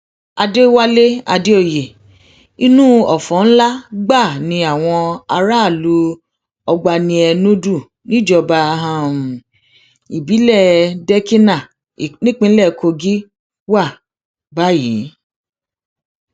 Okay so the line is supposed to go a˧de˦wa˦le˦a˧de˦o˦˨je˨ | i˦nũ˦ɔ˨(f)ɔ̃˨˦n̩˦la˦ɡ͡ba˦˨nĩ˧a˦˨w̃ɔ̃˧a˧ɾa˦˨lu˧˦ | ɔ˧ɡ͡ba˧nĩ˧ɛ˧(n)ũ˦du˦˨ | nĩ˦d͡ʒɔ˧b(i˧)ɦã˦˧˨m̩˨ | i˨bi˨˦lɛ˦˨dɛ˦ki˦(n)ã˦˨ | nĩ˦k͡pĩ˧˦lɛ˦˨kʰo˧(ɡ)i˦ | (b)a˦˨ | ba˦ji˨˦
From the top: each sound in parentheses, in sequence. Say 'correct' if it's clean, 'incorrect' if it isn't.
correct, correct, incorrect: a˧, correct, correct, incorrect: w

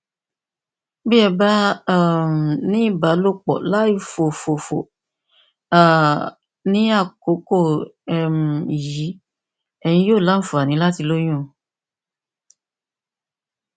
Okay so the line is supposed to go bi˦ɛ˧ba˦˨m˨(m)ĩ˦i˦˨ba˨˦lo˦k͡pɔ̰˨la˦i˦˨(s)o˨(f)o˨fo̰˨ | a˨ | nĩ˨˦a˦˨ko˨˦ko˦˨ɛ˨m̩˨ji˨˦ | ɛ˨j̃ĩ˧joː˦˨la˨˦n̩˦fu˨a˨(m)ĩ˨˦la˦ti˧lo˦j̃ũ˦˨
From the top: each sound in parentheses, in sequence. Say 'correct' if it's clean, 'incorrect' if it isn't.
incorrect: n, incorrect: f, correct, incorrect: n

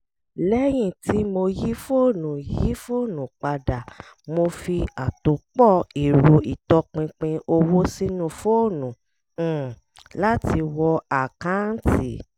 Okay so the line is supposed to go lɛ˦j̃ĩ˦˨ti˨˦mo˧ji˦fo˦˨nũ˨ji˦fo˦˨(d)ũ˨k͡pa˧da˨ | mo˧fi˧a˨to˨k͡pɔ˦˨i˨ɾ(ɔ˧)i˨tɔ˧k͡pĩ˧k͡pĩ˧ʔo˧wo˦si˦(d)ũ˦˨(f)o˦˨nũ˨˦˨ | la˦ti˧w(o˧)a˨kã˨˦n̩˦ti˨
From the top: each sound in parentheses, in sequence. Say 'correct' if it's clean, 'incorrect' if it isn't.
incorrect: n, incorrect: o˧, incorrect: n, correct, incorrect: ɔ˧

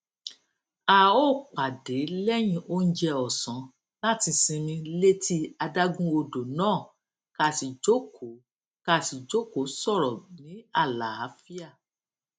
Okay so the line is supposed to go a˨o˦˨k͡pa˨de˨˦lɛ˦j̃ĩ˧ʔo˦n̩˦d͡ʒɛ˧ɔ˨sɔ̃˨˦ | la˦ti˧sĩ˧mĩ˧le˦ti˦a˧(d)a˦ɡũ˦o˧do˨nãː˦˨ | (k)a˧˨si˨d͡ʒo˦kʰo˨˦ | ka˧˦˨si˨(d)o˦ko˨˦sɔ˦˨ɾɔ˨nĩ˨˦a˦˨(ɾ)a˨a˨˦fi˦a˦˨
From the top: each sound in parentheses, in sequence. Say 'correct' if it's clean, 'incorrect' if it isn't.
correct, correct, incorrect: d͡ʒ, incorrect: l

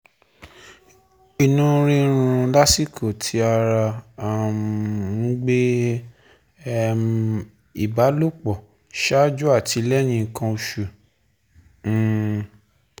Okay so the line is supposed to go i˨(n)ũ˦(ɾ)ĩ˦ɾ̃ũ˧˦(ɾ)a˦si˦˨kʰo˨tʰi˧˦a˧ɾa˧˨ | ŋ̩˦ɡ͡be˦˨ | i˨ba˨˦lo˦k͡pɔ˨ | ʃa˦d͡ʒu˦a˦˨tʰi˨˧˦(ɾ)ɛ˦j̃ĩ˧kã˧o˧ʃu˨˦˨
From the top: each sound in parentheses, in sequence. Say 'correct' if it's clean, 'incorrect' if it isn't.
correct, correct, incorrect: l, incorrect: l

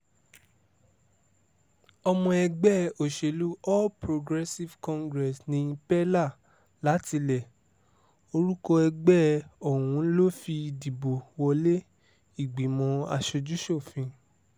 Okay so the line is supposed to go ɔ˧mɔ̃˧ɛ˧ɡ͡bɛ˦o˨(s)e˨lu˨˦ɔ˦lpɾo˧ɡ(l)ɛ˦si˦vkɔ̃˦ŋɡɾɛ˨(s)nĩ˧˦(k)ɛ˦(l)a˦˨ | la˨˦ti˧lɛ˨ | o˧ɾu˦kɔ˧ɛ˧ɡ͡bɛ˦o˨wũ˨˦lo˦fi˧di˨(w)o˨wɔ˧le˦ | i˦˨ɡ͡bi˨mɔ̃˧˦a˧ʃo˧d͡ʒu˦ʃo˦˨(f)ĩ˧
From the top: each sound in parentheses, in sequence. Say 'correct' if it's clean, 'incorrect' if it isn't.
incorrect: ʃ, incorrect: ɾ, correct, incorrect: p, correct, incorrect: b, correct

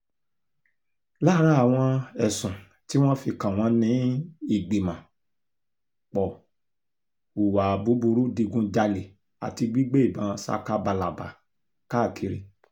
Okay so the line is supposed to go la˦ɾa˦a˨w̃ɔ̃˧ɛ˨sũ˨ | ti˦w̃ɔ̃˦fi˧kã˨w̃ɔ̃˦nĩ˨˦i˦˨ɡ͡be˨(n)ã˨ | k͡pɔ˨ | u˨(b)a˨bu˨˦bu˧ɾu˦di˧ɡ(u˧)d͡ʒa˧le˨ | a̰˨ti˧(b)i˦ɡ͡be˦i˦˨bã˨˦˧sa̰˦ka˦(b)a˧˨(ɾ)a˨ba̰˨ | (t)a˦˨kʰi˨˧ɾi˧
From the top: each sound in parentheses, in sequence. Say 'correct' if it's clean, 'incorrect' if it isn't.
incorrect: m, incorrect: w, incorrect: ũ˧, incorrect: ɡ͡b, correct, incorrect: l, incorrect: k

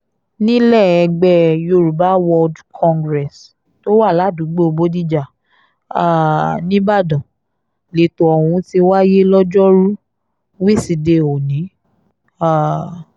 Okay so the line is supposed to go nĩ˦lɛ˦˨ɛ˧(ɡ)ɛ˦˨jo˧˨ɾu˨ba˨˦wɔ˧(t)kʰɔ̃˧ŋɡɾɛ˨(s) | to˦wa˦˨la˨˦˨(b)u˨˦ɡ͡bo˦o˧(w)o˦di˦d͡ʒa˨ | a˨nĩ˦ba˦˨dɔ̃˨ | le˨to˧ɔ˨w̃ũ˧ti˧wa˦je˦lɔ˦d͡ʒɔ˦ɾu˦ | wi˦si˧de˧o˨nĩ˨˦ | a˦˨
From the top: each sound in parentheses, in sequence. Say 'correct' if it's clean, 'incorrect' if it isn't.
incorrect: ɡ͡b, incorrect: d, correct, incorrect: d, incorrect: b

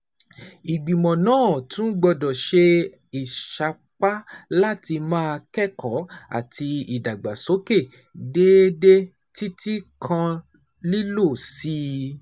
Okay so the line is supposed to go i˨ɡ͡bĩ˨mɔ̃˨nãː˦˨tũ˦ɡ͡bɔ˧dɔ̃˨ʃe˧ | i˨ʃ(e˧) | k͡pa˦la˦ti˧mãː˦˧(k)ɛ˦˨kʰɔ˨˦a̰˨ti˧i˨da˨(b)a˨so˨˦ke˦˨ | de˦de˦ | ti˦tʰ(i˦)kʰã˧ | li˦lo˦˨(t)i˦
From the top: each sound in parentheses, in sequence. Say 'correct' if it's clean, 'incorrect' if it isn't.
incorrect: a˧, correct, incorrect: ɡ͡b, correct, incorrect: s

